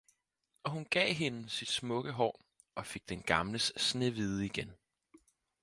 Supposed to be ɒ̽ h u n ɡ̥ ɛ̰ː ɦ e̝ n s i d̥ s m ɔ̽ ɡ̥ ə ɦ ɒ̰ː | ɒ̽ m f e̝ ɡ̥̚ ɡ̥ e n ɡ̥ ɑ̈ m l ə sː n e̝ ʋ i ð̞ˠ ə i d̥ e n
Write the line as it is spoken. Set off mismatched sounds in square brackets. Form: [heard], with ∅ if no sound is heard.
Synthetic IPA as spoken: ɒ̽ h u n ɡ̥ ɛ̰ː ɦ e̝ n s i d̥ s m ɔ̽ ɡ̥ ə ɦ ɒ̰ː | ɒ̽ [∅] f e̝ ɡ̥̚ [d̥] e n ɡ̥ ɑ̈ m l ə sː n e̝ ʋ i ð̞ˠ ə i [ɡ̥] e n